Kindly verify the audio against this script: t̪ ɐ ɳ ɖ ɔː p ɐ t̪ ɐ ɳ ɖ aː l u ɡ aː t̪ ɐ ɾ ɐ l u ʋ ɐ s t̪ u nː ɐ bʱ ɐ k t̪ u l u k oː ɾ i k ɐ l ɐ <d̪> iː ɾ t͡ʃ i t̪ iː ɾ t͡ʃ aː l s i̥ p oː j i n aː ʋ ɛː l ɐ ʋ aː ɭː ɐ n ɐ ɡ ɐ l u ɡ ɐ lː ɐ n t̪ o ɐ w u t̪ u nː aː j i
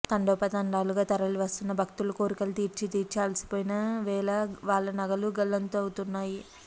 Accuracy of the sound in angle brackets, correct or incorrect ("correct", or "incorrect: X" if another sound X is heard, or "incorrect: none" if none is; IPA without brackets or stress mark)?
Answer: incorrect: t̪